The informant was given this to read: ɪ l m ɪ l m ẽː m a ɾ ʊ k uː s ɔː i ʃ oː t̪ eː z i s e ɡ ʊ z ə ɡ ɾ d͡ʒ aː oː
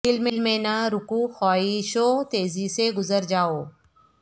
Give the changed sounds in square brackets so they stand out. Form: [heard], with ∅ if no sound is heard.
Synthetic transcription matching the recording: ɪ l m ɪ l m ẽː [n] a ɾ ʊ k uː [x] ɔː i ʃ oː t̪ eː z i s e ɡ ʊ z ə [∅] ɾ d͡ʒ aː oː